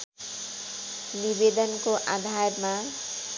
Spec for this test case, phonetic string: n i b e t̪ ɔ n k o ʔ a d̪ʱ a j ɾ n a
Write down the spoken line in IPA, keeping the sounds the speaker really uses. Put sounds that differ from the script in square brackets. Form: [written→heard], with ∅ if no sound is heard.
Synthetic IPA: n i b e [t̪→d̪] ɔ n k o ʔ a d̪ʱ a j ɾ [n→m] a